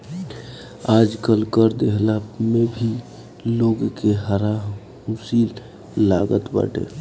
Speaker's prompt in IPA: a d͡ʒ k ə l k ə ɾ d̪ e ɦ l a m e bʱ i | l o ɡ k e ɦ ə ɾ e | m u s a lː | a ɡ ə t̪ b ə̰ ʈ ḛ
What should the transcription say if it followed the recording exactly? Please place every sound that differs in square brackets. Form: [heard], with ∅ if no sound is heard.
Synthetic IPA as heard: a d͡ʒ k ə l k ə ɾ d̪ e ɦ l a m e bʱ i | l o ɡ k e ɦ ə ɾ [a] | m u s [i] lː | a ɡ ə t̪ b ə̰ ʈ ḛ